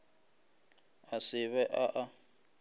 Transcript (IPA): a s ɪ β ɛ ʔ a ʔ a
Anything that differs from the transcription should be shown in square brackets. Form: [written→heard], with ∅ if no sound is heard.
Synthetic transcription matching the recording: a s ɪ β ɛ ʔ a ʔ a